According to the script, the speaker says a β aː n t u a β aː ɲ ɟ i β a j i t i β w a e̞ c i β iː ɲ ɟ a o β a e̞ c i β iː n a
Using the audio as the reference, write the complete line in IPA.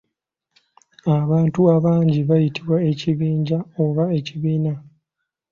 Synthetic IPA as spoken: a β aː n t u a β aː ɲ ɟ i β a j i t i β w a e̞ c i β iː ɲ ɟ a o β a e̞ c i β iː n a